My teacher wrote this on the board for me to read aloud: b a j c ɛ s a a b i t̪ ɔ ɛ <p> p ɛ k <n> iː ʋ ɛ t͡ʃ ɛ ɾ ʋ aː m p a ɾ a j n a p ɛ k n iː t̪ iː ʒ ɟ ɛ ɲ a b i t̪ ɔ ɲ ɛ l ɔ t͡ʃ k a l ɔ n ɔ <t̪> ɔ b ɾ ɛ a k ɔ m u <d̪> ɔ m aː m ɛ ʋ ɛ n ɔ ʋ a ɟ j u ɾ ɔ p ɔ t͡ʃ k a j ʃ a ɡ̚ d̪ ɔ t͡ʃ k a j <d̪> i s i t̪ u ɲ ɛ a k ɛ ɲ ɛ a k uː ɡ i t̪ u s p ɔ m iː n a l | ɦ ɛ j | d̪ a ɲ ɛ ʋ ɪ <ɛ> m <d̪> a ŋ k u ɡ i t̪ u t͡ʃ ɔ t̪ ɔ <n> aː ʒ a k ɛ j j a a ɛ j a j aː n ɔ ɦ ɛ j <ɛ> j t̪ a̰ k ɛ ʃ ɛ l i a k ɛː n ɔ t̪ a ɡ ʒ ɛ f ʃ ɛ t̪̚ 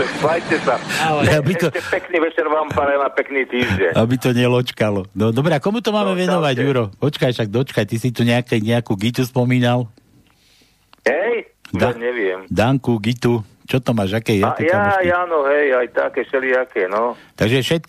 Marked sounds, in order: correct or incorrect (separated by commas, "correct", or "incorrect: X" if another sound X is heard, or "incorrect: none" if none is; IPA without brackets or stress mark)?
correct, correct, incorrect: d̪, incorrect: t̪, incorrect: t̪, correct, correct, incorrect: m, incorrect: a